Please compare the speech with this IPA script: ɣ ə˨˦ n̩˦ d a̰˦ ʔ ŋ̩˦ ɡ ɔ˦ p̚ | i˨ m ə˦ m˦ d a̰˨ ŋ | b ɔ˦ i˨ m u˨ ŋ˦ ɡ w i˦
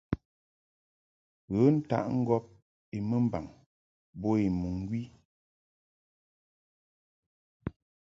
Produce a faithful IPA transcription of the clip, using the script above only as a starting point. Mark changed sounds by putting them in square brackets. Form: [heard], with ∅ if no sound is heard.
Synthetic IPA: ɣ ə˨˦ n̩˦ [t] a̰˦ ʔ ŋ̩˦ ɡ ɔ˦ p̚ | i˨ m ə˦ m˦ [b] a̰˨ ŋ | b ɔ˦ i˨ m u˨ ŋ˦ ɡ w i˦